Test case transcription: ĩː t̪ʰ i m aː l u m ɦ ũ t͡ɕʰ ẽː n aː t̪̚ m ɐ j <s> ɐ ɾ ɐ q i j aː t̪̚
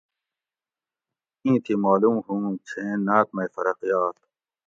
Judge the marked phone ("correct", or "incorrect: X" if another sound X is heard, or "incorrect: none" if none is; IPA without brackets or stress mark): incorrect: f